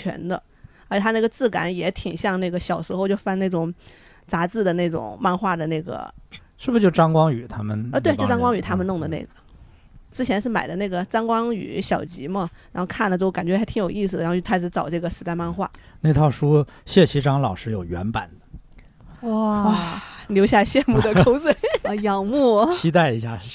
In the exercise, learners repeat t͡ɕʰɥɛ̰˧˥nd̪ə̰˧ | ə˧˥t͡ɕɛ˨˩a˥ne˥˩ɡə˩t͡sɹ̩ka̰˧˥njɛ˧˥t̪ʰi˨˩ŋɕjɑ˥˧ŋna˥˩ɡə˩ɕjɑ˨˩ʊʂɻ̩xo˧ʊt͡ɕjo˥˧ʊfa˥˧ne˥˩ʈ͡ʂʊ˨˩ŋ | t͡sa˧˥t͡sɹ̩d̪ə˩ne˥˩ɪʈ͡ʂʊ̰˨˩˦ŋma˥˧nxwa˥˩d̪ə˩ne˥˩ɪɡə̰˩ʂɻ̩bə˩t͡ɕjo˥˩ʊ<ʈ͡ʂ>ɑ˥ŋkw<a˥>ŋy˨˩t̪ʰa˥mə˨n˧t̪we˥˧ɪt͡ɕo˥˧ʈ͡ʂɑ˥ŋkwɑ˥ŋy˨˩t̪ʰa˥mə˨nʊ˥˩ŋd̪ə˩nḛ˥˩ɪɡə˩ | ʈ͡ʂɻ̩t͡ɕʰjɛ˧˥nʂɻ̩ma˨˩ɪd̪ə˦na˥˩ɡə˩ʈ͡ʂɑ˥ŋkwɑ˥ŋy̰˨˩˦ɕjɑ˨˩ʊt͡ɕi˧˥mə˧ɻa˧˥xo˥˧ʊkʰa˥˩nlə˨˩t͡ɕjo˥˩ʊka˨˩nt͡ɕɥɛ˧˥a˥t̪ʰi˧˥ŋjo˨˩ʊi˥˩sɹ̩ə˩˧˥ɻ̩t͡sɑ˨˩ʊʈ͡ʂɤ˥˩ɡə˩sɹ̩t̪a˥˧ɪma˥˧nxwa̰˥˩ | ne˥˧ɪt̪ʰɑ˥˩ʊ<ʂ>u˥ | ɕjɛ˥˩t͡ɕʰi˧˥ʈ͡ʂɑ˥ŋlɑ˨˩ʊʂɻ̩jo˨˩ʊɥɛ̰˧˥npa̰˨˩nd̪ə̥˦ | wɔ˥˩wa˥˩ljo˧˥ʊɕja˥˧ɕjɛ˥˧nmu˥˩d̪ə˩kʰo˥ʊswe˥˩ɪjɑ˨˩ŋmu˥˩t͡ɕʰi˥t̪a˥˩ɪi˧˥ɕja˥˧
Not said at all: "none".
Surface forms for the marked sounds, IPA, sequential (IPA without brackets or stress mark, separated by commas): ʈ͡ʂ, ɑ˥, ʂ